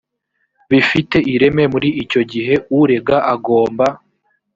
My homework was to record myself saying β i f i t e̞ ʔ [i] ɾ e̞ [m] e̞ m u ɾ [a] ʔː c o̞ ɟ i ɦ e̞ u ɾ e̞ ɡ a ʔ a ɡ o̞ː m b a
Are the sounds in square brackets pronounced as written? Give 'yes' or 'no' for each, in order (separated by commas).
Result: yes, yes, no